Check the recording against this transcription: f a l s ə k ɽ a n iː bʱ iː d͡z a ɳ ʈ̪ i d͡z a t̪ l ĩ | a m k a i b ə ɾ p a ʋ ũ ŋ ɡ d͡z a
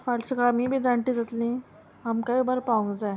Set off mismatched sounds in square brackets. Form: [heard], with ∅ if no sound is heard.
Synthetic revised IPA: f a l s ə k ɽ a [m] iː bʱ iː d͡z a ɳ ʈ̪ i d͡z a t̪ l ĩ | a m k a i b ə ɾ p a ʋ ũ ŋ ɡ d͡z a